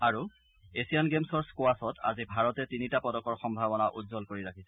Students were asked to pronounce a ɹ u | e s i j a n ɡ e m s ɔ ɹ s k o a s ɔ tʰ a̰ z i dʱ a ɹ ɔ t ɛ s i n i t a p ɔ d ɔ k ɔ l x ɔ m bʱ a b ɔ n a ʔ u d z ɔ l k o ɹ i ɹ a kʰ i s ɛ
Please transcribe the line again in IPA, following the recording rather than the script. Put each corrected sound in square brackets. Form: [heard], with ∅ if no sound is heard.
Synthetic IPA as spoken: a ɹ u | e s i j a n ɡ e m s ɔ ɹ s k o a s ɔ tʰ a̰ z i [bʱ] a ɹ ɔ t ɛ [t] i n i t a p ɔ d ɔ k ɔ [ɹ] x ɔ m bʱ a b ɔ n a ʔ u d z ɔ l k o ɹ i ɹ a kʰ i s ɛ